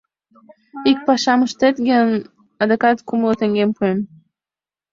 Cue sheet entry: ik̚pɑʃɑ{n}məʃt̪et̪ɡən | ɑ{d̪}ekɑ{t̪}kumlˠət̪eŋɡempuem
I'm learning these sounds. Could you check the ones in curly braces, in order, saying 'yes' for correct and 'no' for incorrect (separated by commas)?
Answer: no, yes, yes